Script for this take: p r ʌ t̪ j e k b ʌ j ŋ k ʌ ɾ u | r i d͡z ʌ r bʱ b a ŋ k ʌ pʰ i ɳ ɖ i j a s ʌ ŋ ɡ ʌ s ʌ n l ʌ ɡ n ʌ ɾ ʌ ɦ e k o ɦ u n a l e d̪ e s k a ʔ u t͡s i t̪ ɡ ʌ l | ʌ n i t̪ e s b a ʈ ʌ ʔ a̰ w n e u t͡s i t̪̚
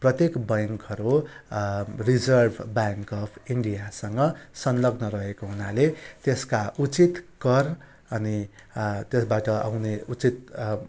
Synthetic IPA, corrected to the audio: p r ʌ t̪ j e k b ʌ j ŋ k ʌ ɾ u | r i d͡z ʌ r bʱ b a ŋ k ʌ pʰ i ɳ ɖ i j a s ʌ ŋ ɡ ʌ s ʌ n l ʌ ɡ n ʌ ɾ ʌ ɦ e k o ɦ u n a l e t̪ e s k a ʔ u t͡s i t̪ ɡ ʌ r | ʌ n i t̪ e s b a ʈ ʌ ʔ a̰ w n e u t͡s i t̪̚